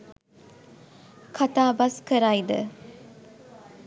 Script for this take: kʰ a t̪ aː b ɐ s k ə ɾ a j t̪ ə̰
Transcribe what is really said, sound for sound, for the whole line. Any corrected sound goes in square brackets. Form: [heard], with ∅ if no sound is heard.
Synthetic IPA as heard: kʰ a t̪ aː b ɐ s k ə ɾ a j [d̪] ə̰